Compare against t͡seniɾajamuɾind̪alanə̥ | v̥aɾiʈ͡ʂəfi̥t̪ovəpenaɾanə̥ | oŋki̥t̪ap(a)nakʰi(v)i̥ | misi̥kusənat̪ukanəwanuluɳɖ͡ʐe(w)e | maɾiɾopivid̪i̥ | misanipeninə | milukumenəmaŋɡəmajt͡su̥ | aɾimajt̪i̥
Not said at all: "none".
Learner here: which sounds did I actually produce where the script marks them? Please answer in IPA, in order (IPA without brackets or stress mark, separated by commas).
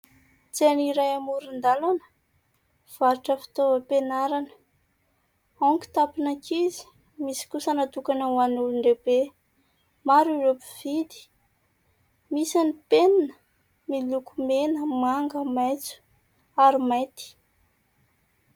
i, z, b